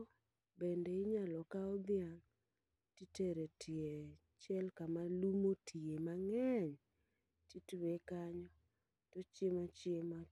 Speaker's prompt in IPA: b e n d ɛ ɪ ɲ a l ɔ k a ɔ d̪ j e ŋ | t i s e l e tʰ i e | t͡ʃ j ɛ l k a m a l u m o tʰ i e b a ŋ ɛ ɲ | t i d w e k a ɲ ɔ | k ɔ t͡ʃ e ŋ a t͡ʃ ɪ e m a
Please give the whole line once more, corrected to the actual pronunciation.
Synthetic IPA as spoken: b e n d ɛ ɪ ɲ a l ɔ k a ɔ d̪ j a ŋ | t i t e ɾ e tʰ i e | t͡ʃ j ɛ l k a m a l u m o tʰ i e m a ŋ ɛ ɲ | t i t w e k a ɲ ɔ | t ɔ t͡ʃ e m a t͡ʃ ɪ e m a